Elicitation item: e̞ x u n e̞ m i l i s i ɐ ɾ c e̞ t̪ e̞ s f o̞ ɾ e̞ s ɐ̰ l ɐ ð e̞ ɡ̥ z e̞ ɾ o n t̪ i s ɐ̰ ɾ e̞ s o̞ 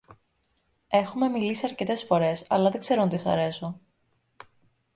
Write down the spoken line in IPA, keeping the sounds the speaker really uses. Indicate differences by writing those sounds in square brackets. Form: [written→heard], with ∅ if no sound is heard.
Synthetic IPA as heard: e̞ x u [n→m] e̞ m i l i s i ɐ ɾ c e̞ t̪ e̞ s f o̞ ɾ e̞ s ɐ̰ l ɐ ð e̞ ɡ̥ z e̞ ɾ o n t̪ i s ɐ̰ ɾ e̞ s o̞